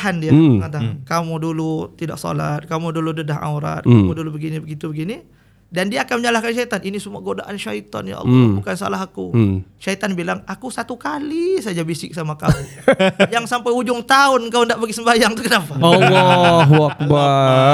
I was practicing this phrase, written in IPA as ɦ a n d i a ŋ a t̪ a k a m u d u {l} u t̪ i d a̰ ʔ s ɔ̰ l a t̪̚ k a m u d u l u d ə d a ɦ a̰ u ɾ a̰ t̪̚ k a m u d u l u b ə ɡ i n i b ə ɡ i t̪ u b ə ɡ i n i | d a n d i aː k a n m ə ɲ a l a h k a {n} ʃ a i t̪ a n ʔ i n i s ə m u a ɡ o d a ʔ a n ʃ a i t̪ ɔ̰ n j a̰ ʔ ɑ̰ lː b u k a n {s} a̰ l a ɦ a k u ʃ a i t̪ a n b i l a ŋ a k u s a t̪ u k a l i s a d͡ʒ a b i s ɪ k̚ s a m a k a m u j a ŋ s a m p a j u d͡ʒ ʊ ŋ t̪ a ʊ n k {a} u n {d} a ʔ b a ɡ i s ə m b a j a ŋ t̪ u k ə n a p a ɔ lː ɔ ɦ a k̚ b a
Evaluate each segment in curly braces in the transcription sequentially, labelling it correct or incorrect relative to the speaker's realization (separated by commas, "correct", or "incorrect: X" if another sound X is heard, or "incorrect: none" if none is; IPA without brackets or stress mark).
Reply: correct, correct, correct, correct, correct